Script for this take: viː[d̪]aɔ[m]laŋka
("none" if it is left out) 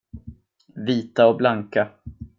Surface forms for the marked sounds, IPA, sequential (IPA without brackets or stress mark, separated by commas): t̪, b